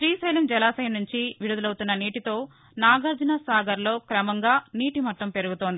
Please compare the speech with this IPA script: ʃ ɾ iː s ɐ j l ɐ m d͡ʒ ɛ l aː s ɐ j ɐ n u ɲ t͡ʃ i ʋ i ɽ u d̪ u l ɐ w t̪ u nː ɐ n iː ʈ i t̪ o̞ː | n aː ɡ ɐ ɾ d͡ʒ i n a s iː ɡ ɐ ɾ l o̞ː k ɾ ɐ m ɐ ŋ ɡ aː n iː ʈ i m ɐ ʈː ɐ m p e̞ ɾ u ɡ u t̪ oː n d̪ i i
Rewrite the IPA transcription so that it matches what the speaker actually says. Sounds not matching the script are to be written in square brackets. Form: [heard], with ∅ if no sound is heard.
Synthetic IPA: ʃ ɾ iː s ɐ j l ɐ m d͡ʒ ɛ l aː s ɐ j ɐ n u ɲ t͡ʃ i ʋ i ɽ u d̪ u l ɐ w t̪ u nː ɐ n iː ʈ i t̪ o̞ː | n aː ɡ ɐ ɾ d͡ʒ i n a s [aː] ɡ ɐ ɾ l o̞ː k ɾ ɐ m ɐ ŋ ɡ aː n iː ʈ i m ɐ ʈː ɐ m p e̞ ɾ u ɡ u t̪ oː n d̪ i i

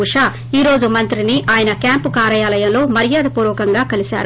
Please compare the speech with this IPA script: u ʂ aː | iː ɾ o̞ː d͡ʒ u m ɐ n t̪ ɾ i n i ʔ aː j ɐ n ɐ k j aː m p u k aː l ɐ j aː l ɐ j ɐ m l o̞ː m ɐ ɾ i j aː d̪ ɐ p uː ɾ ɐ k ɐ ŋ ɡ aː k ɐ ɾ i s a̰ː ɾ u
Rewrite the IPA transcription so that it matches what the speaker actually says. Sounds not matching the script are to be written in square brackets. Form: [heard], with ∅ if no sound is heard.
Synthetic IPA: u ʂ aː | iː ɾ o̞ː d͡ʒ u m ɐ n t̪ ɾ i n i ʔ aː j ɐ n ɐ k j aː m p u k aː [ɾ] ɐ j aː l ɐ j ɐ m l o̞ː m ɐ ɾ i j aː d̪ ɐ p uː ɾ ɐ k ɐ ŋ ɡ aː k ɐ [l] i s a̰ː ɾ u

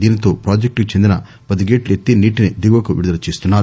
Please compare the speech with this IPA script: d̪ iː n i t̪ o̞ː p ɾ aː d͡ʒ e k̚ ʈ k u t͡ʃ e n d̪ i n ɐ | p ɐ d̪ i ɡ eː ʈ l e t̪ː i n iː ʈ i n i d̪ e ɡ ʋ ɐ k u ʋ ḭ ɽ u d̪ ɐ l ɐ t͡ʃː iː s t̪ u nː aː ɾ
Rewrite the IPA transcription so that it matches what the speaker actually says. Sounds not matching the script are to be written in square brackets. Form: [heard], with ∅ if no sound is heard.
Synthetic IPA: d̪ iː n i t̪ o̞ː p ɾ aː d͡ʒ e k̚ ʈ k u t͡ʃ e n d̪ i n ɐ | p ɐ d̪ i ɡ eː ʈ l e t̪ː i n iː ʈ i n i d̪ [i] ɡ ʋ ɐ k u ʋ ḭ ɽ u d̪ ɐ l ɐ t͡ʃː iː s t̪ u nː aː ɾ

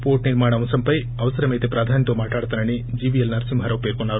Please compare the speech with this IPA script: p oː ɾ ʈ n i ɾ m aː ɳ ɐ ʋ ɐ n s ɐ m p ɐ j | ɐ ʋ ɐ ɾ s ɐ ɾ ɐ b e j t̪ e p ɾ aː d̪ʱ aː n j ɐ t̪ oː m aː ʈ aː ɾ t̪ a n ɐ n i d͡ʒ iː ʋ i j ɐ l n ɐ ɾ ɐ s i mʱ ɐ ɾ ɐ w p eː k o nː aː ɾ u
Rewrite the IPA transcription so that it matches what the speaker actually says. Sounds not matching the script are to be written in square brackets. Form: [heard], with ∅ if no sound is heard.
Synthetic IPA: p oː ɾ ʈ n i ɾ m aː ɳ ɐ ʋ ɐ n s ɐ m p ɐ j | ɐ ʋ ɐ [∅] s ɐ ɾ ɐ [m] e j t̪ e p ɾ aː d̪ʱ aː n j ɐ t̪ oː m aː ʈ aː [ɽ] t̪ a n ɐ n i d͡ʒ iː ʋ i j ɐ l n ɐ ɾ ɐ s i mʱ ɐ ɾ ɐ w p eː k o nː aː ɾ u

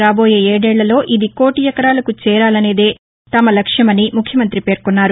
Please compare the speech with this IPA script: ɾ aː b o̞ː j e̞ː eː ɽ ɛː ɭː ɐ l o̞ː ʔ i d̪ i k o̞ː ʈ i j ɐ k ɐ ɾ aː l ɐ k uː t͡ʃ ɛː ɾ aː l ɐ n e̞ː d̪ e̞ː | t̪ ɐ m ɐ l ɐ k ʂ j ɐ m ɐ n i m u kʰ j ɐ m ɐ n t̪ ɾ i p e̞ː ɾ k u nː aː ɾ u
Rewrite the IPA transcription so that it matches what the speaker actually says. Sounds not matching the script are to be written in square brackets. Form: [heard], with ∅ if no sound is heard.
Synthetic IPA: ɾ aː b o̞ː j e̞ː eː ɽ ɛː ɭː ɐ l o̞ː ʔ i d̪ i k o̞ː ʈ i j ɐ k ɐ ɾ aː l ɐ k [u] t͡ʃ ɛː ɾ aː l ɐ n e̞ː d̪ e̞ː | t̪ ɐ m ɐ l ɐ k ʂ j ɐ m ɐ n i m u kʰ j ɐ m ɐ n t̪ ɾ i p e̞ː ɾ k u nː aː ɾ u

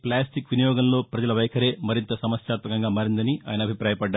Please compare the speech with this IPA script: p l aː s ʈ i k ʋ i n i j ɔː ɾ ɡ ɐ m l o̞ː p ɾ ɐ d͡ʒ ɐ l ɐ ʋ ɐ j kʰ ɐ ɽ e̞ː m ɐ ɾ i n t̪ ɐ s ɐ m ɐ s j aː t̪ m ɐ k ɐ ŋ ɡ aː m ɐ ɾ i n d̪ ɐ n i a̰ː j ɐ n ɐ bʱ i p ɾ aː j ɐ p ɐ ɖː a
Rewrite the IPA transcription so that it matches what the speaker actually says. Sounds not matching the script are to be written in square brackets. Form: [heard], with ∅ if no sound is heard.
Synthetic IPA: p l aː s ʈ i k ʋ i n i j ɔː [∅] ɡ ɐ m l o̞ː p ɾ ɐ d͡ʒ ɐ l ɐ ʋ ɐ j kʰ ɐ [ɾ] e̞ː m ɐ ɾ i n t̪ ɐ s ɐ m ɐ s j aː t̪ m ɐ k ɐ ŋ ɡ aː m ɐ ɾ i n d̪ ɐ n i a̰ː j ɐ n ɐ bʱ i p ɾ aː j ɐ p ɐ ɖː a

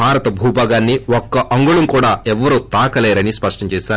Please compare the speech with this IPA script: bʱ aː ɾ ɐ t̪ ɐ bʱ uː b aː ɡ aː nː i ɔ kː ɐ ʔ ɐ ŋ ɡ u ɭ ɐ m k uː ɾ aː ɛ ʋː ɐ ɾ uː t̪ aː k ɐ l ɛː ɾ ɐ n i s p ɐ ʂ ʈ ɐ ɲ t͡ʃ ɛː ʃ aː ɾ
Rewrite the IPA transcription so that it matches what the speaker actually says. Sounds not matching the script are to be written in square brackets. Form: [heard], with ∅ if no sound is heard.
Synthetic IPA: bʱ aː ɾ ɐ t̪ ɐ bʱ uː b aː ɡ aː nː i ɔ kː ɐ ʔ ɐ ŋ ɡ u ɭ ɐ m k uː [ɽ] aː ɛ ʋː ɐ ɾ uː t̪ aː k ɐ l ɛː ɾ ɐ n i s p ɐ ʂ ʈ ɐ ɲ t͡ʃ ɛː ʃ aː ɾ

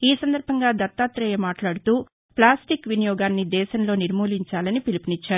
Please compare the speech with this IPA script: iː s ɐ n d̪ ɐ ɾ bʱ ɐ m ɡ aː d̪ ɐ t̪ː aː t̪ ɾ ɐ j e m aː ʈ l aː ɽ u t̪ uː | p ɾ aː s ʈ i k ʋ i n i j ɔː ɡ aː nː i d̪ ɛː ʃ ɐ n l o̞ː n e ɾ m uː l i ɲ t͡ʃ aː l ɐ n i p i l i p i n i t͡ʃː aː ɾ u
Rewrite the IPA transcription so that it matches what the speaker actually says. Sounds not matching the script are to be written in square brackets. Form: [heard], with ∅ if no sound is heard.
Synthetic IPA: iː s ɐ n d̪ ɐ ɾ bʱ ɐ [ŋ] ɡ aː d̪ ɐ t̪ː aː t̪ ɾ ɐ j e m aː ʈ l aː ɽ u t̪ uː | p [l] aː s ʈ i k ʋ i n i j ɔː ɡ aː nː i d̪ ɛː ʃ ɐ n l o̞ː n [i] ɾ m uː l i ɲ t͡ʃ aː l ɐ n i p i l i p i n i t͡ʃː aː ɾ u

